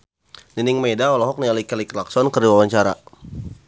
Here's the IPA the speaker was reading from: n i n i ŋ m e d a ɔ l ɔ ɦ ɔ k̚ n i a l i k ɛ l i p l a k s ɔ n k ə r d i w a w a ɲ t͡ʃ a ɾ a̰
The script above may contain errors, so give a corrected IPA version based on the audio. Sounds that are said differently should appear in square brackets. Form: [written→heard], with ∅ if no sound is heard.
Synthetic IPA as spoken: n i n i ŋ m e d a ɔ l ɔ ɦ ɔ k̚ n i a l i k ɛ l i [p→k] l a k s ɔ n k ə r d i w a w a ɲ t͡ʃ a ɾ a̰